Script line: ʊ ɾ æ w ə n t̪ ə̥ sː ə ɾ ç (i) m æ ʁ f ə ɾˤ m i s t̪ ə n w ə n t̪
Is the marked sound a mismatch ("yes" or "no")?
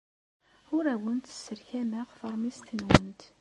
yes